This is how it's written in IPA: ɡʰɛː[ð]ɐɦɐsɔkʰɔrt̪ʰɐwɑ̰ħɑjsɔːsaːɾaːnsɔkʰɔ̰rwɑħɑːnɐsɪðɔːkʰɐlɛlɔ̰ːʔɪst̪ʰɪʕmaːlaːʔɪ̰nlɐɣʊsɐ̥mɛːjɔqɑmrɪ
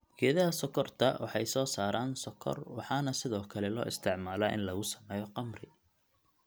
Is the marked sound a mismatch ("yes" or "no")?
no